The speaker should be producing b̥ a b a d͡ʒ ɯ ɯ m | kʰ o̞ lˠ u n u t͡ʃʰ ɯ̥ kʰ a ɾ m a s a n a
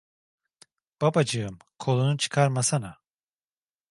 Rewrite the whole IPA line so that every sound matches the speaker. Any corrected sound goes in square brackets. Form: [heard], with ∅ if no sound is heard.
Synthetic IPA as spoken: b̥ a b a d͡ʒ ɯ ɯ m | kʰ o̞ lˠ u n u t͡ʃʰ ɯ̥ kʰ a ɾ m a s a n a